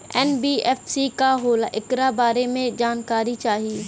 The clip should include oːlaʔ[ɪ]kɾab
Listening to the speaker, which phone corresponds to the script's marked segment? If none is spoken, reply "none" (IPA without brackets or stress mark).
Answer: ɪ